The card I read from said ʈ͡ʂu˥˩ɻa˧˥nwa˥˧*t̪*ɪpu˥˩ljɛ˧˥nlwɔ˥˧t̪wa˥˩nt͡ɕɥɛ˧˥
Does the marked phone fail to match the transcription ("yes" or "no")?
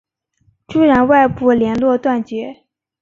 yes